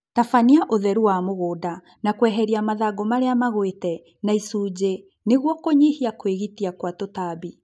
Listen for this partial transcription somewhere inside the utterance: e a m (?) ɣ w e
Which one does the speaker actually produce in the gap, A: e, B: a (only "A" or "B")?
B